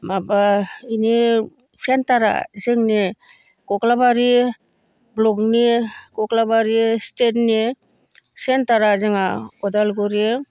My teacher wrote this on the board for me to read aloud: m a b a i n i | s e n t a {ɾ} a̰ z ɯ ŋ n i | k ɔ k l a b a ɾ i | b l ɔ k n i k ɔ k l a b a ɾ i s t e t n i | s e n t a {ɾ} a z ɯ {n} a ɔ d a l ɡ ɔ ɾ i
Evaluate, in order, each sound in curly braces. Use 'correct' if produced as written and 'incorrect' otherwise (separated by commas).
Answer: correct, correct, incorrect